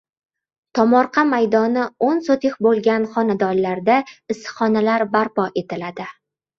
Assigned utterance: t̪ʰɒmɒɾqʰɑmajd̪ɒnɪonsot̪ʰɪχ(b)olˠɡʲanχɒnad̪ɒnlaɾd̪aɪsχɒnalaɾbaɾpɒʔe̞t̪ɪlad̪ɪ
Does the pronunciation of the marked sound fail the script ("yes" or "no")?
no